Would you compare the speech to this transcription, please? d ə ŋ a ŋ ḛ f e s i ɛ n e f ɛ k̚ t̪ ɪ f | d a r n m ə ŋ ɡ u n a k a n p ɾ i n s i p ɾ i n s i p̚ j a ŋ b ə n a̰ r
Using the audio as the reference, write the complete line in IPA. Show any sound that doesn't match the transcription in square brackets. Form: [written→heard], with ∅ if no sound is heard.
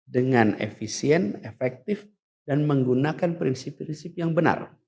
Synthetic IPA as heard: d ə ŋ a [ŋ→n] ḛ f [e→i] s i ɛ n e f ɛ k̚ t̪ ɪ f | d a [r→∅] n m ə ŋ ɡ u n a k a n p ɾ i n s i p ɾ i n s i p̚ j a ŋ b ə n a̰ r